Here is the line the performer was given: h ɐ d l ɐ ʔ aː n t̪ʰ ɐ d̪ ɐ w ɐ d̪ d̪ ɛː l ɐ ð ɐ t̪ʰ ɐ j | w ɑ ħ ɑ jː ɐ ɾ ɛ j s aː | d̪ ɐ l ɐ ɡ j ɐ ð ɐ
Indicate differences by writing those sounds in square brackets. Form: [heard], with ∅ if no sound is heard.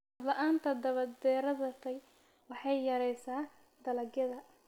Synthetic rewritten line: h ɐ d l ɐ ʔ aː n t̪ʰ ɐ d̪ ɐ [β] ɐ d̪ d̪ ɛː [ɾ] ɐ ð ɐ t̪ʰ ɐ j | w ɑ ħ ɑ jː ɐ ɾ ɛ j s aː | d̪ ɐ l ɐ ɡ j ɐ ð ɐ